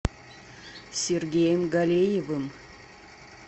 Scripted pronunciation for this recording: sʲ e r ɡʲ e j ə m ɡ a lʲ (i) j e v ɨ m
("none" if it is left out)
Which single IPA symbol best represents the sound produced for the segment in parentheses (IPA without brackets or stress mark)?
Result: e